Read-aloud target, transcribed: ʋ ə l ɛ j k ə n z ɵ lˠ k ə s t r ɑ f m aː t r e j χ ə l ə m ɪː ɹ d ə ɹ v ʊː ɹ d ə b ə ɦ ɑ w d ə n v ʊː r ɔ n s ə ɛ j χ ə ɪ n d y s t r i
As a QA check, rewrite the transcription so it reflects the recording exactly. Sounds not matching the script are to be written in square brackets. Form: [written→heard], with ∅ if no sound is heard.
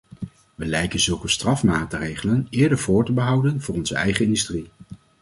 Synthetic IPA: ʋ ə l ɛ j k ə n z ɵ lˠ k ə s t r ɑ f m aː t r e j χ ə l ə [m→n] ɪː ɹ d ə ɹ v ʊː ɹ [d→t] ə b ə ɦ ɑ w d ə n v ʊː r ɔ n [s→z] ə ɛ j χ ə ɪ n d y s t r i

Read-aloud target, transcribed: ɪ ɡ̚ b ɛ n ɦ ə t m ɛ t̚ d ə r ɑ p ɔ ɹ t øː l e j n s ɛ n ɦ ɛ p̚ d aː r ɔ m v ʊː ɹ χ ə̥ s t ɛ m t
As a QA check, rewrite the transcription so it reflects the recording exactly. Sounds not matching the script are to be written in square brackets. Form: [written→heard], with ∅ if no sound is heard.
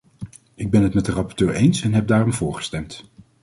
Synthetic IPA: ɪ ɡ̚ b ɛ n ɦ ə t m ɛ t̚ d ə r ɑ p ɔ ɹ t øː [l→ɹ] e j n s ɛ n ɦ ɛ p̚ d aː r ɔ m v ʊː ɹ χ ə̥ s t ɛ m t

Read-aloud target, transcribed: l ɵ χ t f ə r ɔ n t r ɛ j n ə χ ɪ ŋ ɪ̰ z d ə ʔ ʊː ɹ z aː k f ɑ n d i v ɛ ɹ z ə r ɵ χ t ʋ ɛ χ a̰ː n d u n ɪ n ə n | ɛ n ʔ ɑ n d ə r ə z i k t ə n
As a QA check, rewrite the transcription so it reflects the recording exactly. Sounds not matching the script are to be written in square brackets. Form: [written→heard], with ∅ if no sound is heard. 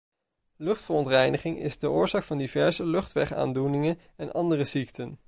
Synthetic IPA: l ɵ χ t f ə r ɔ n t r ɛ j n ə χ ɪ ŋ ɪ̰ z d ə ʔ ʊː ɹ z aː k f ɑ n d i v ɛ ɹ z ə [r→l] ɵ χ t ʋ ɛ χ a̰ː n d u n ɪ [n→ŋ] ə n | ɛ n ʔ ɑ n d ə r ə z i k t ə n

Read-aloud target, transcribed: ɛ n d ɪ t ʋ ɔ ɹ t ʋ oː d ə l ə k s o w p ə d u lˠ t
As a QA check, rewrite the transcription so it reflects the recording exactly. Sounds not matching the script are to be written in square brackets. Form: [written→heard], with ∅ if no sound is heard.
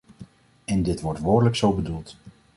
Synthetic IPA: ɛ n d ɪ t ʋ ɔ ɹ t ʋ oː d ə l ə k s o w [p→b] ə d u lˠ t

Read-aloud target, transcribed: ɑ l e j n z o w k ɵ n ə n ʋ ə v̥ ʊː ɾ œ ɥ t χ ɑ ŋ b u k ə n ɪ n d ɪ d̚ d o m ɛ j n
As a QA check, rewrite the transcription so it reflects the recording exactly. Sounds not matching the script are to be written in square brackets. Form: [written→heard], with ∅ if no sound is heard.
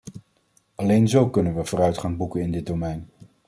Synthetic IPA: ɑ l e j n z o w k ɵ n ə n ʋ ə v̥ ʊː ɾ œ ɥ t χ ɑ ŋ b u k ə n ɪ n d ɪ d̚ d o m ɛ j n

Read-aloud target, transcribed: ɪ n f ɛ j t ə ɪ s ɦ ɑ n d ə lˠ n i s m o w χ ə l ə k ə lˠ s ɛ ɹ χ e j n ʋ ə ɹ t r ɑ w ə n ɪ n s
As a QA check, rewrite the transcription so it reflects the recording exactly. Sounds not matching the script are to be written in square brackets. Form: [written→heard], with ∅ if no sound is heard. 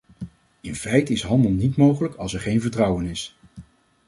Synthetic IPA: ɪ n f ɛ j t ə ɪ s ɦ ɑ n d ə lˠ n i [s→t] m o w χ ə l ə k [ə→ɑ] lˠ s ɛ ɹ χ e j n [ʋ→v] ə ɹ t r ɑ w ə n ɪ [n→∅] s

